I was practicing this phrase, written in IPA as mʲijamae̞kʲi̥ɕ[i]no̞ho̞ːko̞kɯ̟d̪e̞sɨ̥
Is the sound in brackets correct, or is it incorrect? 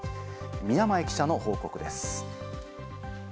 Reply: incorrect